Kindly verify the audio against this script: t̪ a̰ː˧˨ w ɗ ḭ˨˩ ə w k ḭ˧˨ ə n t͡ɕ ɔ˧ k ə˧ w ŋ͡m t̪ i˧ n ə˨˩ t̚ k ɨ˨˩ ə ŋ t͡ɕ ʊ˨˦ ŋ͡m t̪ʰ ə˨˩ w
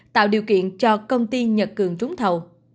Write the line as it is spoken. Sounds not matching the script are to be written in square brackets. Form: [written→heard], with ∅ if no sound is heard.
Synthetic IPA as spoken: t̪ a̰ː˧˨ w ɗ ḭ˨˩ ə w k ḭ˧˨ ə n t͡ɕ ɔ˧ k ə˧ w ŋ͡m t̪ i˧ [n→ɲ] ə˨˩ t̚ k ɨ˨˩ ə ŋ t͡ɕ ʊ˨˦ ŋ͡m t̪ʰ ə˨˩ w